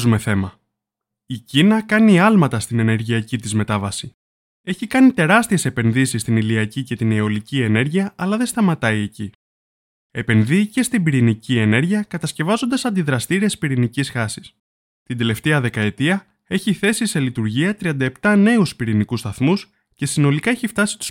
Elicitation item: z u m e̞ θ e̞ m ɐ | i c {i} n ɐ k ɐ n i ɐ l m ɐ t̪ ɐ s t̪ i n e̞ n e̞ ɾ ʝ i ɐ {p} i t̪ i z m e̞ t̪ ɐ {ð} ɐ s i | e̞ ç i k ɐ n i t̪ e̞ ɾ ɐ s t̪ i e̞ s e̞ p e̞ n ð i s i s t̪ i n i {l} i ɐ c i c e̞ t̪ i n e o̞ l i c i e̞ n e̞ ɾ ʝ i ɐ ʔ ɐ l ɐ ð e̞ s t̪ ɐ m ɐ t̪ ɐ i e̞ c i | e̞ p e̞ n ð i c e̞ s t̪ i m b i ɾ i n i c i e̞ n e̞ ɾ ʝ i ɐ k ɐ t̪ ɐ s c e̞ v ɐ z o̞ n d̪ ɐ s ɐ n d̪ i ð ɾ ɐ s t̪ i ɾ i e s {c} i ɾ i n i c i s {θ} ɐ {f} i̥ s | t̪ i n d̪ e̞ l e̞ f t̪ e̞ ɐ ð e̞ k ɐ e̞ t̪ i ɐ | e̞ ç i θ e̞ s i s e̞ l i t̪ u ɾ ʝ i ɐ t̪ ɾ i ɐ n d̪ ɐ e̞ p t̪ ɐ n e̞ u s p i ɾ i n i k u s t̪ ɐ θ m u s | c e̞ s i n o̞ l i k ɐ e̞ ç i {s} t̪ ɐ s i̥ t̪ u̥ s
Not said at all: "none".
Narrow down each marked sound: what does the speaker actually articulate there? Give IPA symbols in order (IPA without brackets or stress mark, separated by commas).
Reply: i, c, v, l, p, x, s, f